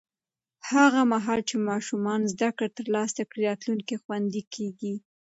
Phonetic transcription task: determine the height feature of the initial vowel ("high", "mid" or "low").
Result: low